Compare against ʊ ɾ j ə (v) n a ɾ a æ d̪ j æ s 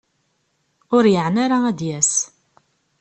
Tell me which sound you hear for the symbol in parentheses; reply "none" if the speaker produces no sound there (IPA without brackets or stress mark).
ʕ